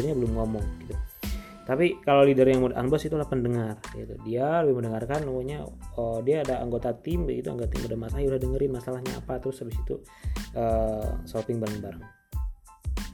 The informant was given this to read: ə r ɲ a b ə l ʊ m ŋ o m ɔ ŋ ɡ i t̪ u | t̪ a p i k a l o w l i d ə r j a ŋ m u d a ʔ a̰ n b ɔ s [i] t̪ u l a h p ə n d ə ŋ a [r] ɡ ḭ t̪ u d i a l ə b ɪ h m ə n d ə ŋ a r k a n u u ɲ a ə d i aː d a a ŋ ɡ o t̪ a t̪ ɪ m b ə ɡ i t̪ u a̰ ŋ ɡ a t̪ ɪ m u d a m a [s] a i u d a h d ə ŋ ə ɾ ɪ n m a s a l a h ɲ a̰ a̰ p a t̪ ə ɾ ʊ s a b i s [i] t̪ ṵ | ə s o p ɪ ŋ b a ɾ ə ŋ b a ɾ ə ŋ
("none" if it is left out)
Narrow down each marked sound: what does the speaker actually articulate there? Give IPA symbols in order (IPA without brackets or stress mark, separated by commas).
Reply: i, r, s, i